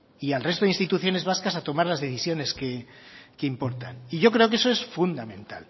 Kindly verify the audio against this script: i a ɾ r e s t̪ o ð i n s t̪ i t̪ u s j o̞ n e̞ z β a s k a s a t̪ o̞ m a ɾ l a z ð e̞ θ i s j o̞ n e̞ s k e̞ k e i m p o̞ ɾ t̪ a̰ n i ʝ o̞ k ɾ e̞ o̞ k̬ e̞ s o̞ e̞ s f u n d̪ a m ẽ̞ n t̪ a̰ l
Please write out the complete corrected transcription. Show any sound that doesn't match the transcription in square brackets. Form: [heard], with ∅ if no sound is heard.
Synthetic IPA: i a [l] r e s t̪ o ð i n s t̪ i t̪ u [θ] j o̞ n e̞ z β a s k a s a t̪ o̞ m a ɾ l a z ð e̞ θ i s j o̞ n e̞ s k e̞ k e i m p o̞ ɾ t̪ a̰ n i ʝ o̞ k ɾ e̞ o̞ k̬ e̞ s o̞ e̞ s f u n d̪ a m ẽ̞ n t̪ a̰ l